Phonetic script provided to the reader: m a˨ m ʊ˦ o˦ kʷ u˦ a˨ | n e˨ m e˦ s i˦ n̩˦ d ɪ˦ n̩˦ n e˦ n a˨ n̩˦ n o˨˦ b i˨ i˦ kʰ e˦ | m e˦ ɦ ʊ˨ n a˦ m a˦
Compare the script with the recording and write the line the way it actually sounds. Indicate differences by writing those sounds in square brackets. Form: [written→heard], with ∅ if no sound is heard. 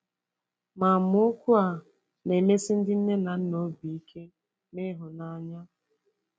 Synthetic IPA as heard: m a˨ m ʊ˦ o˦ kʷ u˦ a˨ | n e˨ m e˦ s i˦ n̩˦ d ɪ˦ n̩˦ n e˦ n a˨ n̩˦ n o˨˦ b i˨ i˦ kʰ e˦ | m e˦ ɦ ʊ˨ n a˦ [m→ɲ] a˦